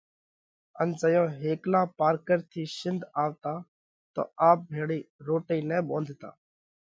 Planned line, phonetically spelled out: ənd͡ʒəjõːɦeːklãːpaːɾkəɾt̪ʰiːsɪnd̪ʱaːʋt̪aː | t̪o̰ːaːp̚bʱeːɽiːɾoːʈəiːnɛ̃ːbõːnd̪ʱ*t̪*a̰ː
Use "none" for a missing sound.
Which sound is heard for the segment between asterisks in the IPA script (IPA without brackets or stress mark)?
t̪